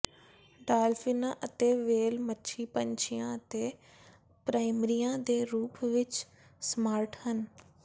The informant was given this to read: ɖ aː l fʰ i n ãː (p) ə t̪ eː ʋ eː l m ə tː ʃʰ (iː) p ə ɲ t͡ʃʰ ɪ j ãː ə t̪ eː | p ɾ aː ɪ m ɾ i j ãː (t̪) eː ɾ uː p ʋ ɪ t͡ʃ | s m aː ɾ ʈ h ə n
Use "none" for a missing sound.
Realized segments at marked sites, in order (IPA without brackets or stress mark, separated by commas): ʔ, iː, d̪